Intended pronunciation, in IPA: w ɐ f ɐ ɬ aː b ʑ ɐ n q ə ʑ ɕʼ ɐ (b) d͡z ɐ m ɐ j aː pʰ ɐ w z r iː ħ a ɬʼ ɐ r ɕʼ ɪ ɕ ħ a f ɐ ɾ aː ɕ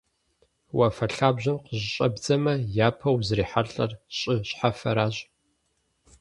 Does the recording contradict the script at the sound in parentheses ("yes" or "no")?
no